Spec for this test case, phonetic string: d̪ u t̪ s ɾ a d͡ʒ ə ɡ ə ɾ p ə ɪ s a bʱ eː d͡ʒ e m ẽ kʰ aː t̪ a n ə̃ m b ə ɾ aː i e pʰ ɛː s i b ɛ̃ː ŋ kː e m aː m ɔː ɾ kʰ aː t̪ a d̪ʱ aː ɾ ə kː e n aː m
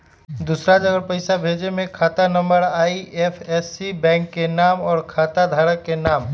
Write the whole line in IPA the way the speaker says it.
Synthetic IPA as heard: d̪ u s ɾ a d͡ʒ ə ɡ ə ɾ p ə ɪ s a bʱ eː d͡ʒ e m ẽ kʰ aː t̪ a n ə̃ m b ə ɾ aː i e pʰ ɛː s i b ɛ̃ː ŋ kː e n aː m ɔː ɾ kʰ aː t̪ a d̪ʱ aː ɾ ə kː e n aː m